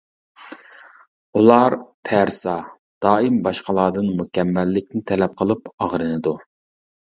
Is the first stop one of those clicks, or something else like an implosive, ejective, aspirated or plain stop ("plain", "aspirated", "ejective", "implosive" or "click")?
aspirated